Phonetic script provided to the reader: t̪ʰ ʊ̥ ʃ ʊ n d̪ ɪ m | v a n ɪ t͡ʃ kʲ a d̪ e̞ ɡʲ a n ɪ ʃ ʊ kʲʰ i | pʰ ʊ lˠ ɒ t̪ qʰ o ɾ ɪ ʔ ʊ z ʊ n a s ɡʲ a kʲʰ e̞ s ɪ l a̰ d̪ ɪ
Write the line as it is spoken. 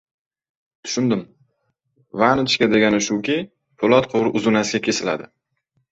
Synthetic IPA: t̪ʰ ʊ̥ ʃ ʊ n d̪ ɪ m | v a n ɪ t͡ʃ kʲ a d̪ e̞ ɡʲ a n ɪ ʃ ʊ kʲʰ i | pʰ ʊ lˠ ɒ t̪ qʰ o ɾ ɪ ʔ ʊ z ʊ n a s ɡʲ a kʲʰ e̞ s ɪ l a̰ d̪ ɪ